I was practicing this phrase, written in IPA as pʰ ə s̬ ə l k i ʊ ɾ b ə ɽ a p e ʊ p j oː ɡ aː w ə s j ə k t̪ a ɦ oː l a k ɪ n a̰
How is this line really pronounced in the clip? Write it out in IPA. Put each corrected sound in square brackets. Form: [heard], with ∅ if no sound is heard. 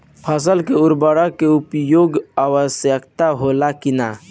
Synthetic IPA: pʰ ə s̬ ə l k [e] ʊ ɾ b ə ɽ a [k] e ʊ p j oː ɡ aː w ə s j ə k t̪ a ɦ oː l a k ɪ n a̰